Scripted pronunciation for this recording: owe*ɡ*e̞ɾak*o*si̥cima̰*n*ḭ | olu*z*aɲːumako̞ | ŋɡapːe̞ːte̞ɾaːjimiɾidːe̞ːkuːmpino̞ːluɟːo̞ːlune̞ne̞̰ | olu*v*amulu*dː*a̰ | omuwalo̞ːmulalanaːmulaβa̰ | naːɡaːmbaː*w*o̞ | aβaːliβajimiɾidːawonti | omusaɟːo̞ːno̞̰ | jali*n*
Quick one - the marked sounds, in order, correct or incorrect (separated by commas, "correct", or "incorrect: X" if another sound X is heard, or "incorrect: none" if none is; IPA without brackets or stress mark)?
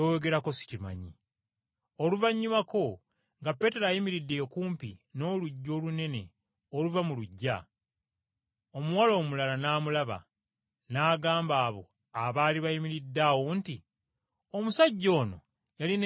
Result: correct, correct, incorrect: ɲ, incorrect: v, correct, incorrect: ɟː, incorrect: β, correct